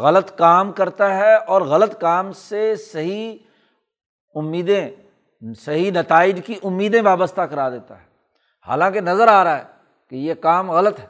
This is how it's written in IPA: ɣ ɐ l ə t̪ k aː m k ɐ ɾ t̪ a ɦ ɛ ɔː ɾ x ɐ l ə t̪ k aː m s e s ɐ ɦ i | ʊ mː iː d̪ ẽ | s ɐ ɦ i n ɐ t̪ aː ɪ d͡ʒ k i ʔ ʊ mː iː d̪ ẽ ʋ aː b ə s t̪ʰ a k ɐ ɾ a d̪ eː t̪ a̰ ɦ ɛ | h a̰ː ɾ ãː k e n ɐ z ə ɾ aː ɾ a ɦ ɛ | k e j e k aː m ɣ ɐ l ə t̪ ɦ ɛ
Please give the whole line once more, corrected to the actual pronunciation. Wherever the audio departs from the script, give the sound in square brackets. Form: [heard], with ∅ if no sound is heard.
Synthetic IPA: ɣ ɐ l ə t̪ k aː m k ɐ ɾ t̪ a ɦ ɛ ɔː ɾ [ɣ] ɐ l ə t̪ k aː m s e s ɐ ɦ i | ʊ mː iː d̪ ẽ | s ɐ ɦ i n ɐ t̪ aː ɪ d͡ʒ k i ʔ ʊ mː iː d̪ ẽ ʋ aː b ə s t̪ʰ a k ɐ ɾ a d̪ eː t̪ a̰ ɦ ɛ | h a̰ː [l] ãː k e n ɐ z ə ɾ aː ɾ a ɦ ɛ | k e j e k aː m ɣ ɐ l ə t̪ ɦ ɛ